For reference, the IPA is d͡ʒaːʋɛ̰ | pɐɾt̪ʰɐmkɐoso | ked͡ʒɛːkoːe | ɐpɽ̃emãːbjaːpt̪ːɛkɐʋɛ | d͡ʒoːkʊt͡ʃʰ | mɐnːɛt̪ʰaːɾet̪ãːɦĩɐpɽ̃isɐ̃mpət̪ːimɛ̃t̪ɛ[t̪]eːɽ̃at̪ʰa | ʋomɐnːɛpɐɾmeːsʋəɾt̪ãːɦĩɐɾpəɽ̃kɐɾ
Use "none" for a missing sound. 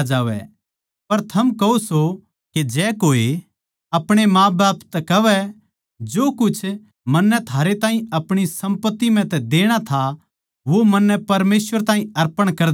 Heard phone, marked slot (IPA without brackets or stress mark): d̪